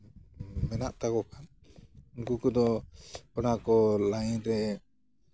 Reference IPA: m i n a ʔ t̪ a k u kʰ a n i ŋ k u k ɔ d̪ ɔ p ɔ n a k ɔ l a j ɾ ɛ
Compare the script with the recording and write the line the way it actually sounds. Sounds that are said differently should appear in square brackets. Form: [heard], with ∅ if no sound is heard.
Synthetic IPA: m [ɛ] n a ʔ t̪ a k [ɔ] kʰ a n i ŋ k u k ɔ d̪ ɔ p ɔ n a k ɔ l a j ɾ ɛ